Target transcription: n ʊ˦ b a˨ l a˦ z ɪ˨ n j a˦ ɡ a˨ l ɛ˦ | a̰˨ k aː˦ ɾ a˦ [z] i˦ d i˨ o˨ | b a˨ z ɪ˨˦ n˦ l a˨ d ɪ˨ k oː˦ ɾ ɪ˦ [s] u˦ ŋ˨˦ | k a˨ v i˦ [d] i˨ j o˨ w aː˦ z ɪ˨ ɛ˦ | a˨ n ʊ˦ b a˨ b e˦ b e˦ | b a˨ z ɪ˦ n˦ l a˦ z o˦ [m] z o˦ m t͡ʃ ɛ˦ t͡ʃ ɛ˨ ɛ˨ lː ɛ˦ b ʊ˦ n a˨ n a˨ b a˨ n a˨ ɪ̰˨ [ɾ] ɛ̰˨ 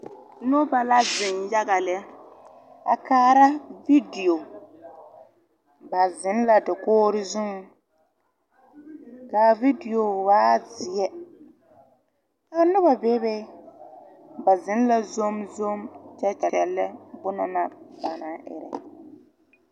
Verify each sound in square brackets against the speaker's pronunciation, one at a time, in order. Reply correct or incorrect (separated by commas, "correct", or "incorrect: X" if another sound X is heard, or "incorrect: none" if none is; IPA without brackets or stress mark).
incorrect: v, incorrect: z, correct, correct, correct